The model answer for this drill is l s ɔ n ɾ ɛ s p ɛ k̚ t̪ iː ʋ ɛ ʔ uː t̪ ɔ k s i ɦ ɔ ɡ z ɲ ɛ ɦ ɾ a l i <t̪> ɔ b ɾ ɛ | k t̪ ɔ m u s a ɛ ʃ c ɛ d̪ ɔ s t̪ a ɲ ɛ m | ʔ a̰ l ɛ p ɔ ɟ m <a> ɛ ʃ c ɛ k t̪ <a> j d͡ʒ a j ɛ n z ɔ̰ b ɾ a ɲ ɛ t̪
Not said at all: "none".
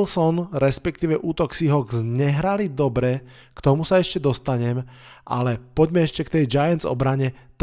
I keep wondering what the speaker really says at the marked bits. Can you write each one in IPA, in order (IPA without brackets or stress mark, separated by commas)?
d̪, ɛ, ɛ